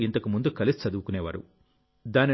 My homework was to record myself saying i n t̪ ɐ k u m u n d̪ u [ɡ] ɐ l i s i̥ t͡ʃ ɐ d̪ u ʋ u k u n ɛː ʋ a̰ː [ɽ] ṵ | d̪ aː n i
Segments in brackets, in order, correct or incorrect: incorrect, incorrect

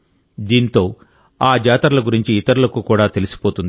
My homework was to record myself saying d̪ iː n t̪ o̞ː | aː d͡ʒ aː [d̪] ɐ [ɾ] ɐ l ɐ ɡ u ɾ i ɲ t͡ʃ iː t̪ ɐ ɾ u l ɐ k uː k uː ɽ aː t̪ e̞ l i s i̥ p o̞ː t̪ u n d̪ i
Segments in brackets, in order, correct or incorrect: incorrect, correct

